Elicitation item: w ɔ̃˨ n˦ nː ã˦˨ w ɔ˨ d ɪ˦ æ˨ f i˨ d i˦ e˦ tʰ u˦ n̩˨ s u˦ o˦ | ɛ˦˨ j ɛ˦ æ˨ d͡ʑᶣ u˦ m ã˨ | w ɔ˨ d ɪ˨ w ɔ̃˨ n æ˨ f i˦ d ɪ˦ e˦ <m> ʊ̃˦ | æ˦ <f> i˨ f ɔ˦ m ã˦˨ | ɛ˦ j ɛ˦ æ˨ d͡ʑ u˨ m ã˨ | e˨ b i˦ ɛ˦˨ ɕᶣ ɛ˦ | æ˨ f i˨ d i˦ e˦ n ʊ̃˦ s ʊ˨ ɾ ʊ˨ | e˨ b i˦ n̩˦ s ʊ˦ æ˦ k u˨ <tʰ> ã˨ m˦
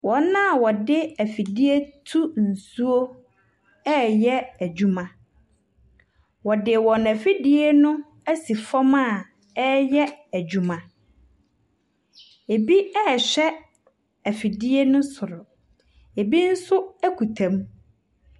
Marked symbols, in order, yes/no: no, no, yes

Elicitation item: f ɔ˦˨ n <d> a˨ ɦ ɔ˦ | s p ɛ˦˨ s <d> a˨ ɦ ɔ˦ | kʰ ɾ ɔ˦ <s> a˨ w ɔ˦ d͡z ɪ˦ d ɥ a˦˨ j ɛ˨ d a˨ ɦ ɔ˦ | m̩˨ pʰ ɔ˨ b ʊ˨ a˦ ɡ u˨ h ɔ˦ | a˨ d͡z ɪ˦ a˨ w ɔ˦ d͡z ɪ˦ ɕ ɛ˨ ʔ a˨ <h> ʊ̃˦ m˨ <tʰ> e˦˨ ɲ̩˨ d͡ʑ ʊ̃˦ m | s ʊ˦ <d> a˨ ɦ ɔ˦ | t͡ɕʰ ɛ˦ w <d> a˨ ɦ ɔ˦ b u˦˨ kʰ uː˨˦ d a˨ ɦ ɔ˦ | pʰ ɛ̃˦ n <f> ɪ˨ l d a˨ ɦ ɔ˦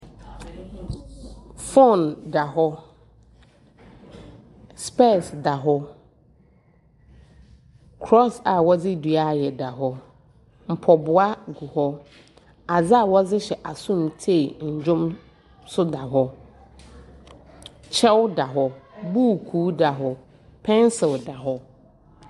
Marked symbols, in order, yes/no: yes, yes, yes, no, yes, yes, yes, no

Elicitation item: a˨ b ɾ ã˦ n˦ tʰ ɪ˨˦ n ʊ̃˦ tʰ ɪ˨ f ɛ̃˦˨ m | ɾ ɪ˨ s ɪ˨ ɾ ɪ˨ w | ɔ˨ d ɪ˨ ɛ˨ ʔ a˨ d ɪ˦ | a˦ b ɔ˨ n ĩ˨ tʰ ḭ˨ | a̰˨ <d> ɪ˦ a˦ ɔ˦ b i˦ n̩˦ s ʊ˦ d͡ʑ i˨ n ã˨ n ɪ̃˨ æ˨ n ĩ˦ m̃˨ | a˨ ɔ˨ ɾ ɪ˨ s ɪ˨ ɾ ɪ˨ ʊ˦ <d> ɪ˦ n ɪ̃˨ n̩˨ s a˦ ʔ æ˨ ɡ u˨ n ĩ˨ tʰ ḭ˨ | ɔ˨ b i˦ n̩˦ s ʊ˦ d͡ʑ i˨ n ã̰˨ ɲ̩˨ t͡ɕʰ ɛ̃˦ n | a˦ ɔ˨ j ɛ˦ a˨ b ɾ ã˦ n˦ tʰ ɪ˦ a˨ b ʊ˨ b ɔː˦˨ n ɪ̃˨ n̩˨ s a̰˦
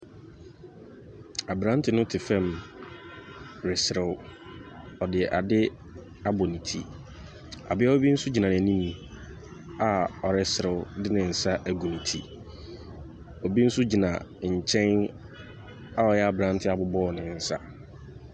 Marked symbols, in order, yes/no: no, yes

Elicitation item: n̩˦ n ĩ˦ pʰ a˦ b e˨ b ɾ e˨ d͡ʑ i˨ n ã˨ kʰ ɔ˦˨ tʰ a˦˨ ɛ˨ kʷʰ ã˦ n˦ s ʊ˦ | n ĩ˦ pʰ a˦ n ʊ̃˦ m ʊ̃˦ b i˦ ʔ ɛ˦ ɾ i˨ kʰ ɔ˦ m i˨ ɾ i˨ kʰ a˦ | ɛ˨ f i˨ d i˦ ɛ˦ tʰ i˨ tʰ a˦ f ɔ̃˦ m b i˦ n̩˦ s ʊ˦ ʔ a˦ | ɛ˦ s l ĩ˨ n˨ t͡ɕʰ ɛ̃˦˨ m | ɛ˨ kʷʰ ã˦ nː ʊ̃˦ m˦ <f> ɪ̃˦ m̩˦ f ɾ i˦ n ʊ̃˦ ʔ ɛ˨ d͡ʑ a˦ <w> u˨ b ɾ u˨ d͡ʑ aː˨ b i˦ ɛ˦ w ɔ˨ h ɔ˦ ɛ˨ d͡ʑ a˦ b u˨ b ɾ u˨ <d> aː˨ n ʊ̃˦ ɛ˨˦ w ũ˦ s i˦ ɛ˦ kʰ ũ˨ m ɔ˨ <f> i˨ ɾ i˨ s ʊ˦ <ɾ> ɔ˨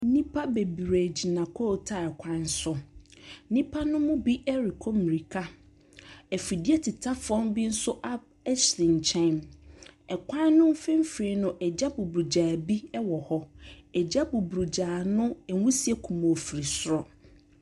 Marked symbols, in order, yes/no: yes, no, no, yes, yes

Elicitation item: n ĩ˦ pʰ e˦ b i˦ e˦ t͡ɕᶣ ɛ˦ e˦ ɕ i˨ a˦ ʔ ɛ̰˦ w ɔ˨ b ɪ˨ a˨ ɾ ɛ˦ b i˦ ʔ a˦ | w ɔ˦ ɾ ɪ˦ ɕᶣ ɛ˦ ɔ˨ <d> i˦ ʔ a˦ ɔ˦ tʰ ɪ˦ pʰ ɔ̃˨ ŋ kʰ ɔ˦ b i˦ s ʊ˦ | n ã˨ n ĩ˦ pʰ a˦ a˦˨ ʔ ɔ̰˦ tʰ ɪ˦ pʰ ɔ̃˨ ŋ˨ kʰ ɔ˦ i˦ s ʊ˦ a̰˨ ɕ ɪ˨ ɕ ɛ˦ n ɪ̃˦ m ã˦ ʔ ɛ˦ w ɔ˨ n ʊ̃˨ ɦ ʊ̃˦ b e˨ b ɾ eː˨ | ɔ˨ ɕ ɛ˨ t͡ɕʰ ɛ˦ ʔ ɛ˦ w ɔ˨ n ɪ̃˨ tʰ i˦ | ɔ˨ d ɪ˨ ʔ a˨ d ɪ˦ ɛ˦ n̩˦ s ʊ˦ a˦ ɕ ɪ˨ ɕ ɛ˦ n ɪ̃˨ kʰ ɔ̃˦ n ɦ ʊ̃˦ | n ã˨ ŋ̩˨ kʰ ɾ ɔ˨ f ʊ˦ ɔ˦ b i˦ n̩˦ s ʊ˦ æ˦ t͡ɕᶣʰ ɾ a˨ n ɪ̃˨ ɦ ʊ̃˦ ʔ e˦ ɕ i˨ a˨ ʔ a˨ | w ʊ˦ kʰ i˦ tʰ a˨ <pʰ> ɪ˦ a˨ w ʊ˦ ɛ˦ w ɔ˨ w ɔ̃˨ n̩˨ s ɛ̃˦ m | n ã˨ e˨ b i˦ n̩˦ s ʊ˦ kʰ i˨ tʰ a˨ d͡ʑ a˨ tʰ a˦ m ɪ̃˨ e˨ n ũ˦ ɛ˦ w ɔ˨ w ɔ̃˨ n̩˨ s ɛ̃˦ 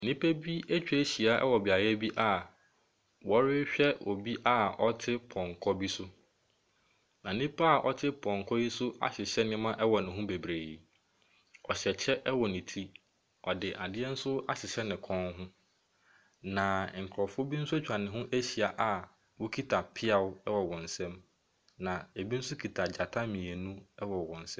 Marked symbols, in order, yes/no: no, yes

